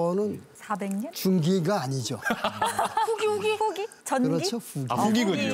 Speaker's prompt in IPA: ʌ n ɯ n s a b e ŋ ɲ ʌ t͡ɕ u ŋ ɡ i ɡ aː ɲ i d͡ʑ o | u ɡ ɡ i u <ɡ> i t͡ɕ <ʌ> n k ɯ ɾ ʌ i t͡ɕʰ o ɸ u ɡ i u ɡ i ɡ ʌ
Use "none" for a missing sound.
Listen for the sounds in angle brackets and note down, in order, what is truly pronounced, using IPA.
ɡ, ʌ

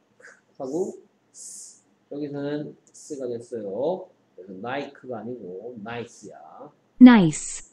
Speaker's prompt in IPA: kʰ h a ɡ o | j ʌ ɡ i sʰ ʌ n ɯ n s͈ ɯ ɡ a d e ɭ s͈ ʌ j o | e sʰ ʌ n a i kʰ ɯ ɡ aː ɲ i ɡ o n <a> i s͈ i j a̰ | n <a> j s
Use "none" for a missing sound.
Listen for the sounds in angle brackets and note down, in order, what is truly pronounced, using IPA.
a, a

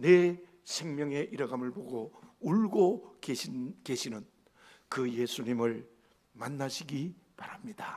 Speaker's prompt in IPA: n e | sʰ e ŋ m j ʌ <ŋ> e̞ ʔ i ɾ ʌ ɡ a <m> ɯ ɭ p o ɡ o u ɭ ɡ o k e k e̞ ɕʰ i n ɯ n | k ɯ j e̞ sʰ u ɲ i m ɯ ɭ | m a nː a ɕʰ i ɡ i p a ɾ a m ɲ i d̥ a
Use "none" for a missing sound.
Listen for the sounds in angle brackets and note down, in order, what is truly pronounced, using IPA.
ŋ, m

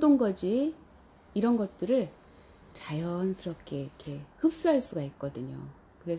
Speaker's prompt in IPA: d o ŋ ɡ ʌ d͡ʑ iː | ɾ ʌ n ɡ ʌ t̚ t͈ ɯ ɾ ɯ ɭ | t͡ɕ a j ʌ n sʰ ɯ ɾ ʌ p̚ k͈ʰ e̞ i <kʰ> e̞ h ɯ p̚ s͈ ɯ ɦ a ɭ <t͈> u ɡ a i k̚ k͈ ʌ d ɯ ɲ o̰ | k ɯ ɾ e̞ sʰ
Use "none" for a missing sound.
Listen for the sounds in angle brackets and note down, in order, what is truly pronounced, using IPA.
kʰ, s͈

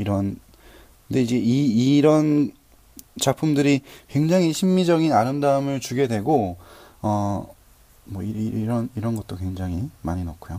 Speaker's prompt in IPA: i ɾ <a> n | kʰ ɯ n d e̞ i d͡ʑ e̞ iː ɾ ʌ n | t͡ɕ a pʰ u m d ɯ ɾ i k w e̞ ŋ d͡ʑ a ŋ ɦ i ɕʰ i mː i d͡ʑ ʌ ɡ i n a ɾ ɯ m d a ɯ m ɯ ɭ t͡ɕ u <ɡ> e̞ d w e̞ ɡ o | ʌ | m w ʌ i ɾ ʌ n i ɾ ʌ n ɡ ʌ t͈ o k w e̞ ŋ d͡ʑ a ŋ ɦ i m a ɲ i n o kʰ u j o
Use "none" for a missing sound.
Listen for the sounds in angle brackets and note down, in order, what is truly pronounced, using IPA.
ʌ, ɡ

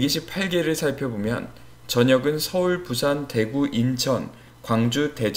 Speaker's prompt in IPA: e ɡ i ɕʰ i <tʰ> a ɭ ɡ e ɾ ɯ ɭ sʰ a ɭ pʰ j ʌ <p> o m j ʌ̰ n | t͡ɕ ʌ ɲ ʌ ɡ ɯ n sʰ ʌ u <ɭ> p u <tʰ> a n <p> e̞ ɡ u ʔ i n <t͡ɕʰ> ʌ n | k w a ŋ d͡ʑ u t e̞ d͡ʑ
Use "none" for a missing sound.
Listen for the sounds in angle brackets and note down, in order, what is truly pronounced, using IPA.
pʰ, b, ɭ, sʰ, t, t͡ɕʰ

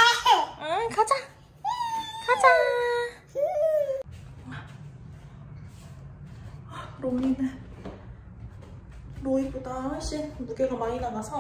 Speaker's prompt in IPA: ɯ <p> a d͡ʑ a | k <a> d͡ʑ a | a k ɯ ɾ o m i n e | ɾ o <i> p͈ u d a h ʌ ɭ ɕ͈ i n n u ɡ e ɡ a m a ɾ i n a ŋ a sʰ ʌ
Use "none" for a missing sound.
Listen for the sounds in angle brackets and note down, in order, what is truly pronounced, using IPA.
k, a, i

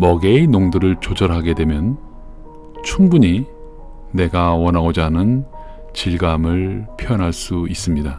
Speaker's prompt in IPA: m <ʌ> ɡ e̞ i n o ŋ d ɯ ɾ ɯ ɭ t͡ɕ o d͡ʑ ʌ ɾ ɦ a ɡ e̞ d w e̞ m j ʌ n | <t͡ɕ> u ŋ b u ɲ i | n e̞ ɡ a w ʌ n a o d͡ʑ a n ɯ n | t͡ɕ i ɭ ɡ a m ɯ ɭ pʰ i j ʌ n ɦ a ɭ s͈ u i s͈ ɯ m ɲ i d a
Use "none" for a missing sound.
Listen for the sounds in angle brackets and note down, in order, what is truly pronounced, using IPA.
ʌ, t͡ɕʰ

